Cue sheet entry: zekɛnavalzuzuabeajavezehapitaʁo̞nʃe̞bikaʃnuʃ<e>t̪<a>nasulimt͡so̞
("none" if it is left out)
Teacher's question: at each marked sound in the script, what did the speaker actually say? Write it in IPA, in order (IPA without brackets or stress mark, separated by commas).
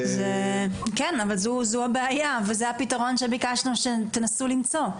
e, e